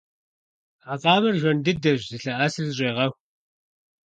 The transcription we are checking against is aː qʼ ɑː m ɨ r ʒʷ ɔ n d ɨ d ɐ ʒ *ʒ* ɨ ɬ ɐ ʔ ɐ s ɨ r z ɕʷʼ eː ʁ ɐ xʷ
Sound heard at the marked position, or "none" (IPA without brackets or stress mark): z